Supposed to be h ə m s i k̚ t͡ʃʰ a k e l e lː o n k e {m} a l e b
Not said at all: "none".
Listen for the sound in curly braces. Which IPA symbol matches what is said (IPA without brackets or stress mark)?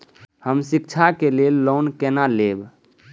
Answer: n